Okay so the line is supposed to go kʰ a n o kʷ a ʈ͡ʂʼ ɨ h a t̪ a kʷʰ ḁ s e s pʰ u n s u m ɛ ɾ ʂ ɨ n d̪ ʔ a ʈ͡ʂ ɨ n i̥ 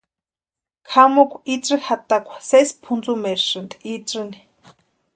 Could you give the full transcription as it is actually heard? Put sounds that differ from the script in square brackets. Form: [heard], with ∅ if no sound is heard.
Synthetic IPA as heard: kʰ a [m] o kʷ [i] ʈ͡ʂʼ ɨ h a t̪ a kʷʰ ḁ s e s pʰ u n [t͡s] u m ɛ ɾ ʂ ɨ n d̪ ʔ [i] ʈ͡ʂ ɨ n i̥